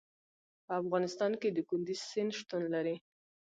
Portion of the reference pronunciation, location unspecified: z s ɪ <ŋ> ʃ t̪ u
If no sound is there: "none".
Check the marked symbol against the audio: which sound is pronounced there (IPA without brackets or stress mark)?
n